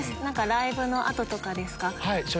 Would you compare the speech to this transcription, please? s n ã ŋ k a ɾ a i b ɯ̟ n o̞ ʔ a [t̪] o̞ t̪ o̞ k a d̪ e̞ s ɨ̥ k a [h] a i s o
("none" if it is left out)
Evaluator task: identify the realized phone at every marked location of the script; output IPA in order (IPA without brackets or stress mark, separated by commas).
t̪, h